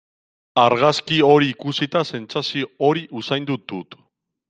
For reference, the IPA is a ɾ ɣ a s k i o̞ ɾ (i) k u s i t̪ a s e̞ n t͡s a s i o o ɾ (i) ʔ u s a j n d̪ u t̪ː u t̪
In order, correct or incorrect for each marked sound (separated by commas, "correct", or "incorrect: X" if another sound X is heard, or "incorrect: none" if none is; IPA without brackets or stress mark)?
incorrect: iː, correct